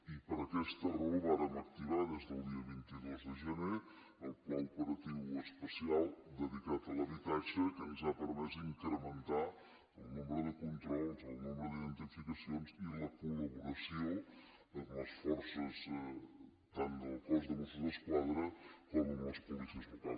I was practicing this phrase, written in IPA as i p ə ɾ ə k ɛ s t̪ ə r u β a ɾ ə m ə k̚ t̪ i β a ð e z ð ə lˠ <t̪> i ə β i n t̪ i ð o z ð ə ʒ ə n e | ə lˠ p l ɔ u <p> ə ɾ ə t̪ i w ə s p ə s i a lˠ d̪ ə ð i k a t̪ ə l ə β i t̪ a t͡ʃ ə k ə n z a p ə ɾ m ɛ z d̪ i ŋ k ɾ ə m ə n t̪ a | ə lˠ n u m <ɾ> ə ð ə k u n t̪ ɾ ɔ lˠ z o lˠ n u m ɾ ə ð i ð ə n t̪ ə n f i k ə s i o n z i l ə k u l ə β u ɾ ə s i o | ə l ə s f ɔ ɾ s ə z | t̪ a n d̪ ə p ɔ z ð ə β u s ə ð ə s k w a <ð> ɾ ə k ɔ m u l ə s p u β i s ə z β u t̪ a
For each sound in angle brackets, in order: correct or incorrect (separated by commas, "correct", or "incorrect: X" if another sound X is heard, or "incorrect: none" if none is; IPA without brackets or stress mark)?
incorrect: d̪, correct, correct, correct